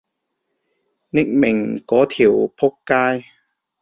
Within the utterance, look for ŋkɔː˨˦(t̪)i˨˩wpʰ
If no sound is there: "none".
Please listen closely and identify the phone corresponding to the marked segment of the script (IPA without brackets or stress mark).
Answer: t̪ʰ